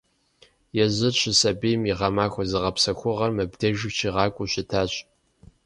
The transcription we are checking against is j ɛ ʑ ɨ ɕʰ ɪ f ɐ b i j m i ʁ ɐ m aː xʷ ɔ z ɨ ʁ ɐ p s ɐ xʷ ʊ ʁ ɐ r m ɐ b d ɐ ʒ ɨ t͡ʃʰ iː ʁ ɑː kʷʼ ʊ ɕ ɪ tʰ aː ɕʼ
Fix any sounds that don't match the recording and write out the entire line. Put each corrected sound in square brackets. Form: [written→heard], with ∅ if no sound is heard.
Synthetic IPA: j ɛ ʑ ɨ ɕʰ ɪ [f→s] ɐ b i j m i ʁ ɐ m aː xʷ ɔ z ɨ ʁ ɐ p s ɐ xʷ ʊ ʁ ɐ r m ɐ b d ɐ ʒ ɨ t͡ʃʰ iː ʁ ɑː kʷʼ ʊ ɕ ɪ tʰ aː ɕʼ